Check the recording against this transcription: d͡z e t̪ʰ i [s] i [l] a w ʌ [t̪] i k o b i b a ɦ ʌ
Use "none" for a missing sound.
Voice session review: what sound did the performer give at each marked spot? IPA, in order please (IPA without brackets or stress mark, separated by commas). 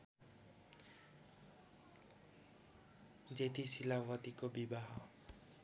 s, l, t̪